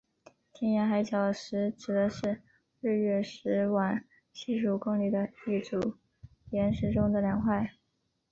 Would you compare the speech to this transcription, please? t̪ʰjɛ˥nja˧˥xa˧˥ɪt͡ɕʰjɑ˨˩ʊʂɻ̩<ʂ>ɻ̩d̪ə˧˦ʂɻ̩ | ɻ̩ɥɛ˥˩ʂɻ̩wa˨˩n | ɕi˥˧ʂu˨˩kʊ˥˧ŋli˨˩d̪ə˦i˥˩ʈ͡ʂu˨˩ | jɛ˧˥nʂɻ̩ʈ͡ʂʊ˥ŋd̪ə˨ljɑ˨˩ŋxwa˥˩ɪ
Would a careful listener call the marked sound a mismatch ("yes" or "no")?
yes